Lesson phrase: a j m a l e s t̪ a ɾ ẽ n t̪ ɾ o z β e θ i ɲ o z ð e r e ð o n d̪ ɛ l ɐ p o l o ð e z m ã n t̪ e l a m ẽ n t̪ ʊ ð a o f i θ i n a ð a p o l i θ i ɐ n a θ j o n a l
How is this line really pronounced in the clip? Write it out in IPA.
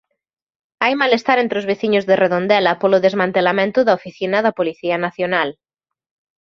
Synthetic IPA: a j m a l e s t̪ a ɾ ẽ n t̪ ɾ o z β e θ i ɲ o z ð e r e ð o n d̪ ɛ l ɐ p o l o ð e z m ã n t̪ e l a m ẽ n t̪ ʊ ð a o f i θ i n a ð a p o l i θ i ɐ n a θ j o n a l